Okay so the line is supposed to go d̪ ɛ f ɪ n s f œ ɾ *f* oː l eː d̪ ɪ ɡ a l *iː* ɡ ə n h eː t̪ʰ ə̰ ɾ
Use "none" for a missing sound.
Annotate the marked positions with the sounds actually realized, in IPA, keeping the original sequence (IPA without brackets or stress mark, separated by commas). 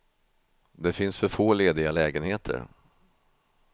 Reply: f, ɛː